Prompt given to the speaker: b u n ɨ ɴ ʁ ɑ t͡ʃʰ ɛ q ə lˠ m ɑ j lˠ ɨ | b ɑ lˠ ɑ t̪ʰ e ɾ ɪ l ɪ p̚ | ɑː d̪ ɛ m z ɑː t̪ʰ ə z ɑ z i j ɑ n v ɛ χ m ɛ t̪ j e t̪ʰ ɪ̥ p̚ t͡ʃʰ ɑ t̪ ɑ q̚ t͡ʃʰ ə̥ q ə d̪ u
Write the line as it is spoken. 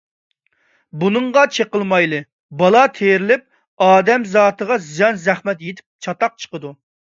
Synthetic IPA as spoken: b u n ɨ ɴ ʁ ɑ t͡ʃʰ e q ə lˠ m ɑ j lˠ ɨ | b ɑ lˠ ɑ t̪ʰ e ɾ ɪ l ɪ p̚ | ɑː d̪ ɛ m z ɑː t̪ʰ ə ʁ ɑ z i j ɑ n z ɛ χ m ɛ t̪ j e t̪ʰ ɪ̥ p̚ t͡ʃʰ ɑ t̪ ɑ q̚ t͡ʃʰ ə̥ q ə d̪ u

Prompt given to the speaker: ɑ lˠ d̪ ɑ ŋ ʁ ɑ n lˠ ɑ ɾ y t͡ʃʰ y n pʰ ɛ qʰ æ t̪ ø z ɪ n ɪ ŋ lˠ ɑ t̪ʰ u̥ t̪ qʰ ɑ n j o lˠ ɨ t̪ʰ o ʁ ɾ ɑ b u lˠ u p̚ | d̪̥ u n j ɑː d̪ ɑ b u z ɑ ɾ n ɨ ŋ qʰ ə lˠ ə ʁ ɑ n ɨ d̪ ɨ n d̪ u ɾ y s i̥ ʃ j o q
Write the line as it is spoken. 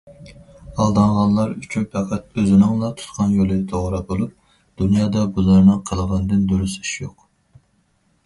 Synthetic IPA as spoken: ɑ lˠ d̪ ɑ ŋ ʁ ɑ n lˠ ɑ ɾ y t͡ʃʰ y n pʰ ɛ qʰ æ t̪ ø z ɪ n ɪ ŋ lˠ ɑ t̪ʰ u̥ t̪ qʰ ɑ n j o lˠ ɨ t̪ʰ o ʁ ɾ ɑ b o lˠ u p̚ | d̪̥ u n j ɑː d̪ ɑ b u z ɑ ɾ n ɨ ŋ qʰ ə lˠ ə ʁ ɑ n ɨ d̪ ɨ n d̪ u ɾ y s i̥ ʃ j o q

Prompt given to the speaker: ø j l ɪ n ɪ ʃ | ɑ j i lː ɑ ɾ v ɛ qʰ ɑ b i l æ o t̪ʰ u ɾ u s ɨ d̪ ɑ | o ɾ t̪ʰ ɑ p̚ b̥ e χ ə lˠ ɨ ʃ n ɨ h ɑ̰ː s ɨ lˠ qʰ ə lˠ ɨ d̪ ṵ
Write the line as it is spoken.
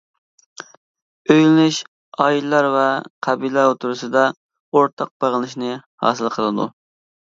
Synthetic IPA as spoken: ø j l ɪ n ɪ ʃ | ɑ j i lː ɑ ɾ v ɛ qʰ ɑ b i l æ o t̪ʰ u ɾ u s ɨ d̪ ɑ | o ɾ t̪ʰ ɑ q̚ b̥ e ʁ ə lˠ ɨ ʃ n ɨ h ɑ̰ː s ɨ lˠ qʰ ə lˠ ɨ d̪ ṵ

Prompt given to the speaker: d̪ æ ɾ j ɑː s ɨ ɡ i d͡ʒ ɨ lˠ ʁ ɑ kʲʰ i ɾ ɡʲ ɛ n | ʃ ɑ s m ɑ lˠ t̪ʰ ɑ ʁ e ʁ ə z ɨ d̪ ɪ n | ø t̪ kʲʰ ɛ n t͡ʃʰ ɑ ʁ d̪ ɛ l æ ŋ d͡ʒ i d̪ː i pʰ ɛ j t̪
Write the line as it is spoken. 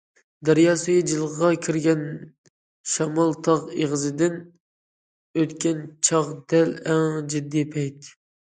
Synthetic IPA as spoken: d̪ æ ɾ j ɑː s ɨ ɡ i d͡ʒ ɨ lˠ ʁ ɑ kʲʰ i ɾ ɡʲ ɛ n | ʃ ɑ m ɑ lˠ t̪ʰ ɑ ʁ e ʁ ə z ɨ d̪ ɪ n | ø t̪ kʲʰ ɛ n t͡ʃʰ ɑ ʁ d̪ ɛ l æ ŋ d͡ʒ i d̪ː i pʰ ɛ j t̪

